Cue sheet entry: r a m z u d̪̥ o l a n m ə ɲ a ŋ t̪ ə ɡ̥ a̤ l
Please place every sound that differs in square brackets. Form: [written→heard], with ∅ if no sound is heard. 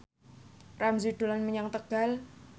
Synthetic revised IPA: r a m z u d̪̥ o l a n m ə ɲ a ŋ t̪ ə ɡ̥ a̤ l